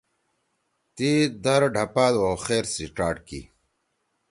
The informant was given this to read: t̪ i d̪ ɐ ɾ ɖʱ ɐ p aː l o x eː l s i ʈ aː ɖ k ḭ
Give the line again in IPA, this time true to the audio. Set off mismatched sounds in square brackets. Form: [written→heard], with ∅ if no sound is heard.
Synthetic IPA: t̪ i d̪ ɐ ɾ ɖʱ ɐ p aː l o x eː [l→ɾ] s i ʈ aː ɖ k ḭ